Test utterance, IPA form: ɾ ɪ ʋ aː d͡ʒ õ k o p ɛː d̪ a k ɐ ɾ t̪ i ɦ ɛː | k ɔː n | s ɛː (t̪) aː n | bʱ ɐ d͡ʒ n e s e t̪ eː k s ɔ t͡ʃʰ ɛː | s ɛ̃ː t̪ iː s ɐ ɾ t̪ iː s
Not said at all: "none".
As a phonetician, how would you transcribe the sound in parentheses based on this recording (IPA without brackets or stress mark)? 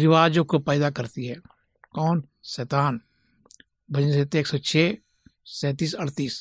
t̪